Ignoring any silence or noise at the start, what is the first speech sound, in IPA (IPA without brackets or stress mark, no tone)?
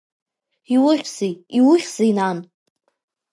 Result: i